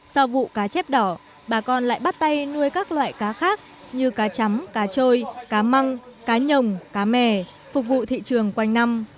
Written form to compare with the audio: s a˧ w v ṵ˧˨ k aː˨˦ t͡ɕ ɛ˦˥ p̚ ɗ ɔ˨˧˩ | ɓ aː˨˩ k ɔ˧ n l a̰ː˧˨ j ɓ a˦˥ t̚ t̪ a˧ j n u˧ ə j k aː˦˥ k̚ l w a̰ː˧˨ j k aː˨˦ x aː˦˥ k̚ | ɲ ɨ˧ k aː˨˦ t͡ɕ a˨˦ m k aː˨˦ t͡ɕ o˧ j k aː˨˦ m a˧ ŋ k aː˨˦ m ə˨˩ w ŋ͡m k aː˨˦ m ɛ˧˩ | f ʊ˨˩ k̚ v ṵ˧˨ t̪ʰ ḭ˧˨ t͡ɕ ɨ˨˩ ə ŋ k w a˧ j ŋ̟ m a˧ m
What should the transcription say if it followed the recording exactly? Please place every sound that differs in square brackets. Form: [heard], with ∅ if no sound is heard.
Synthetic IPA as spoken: s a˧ w v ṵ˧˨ k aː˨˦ t͡ɕ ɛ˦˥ p̚ ɗ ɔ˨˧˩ | ɓ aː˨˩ k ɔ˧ n l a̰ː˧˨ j ɓ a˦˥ t̚ t̪ a˧ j n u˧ ə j k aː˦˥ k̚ l w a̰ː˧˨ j k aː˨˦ x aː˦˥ k̚ | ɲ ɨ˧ k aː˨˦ t͡ɕ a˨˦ m k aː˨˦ t͡ɕ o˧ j k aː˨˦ m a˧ ŋ k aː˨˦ [ɲ] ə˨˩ w ŋ͡m k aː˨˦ m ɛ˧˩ | f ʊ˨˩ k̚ v ṵ˧˨ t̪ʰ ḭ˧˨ t͡ɕ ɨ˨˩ ə ŋ k w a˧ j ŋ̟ [n] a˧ m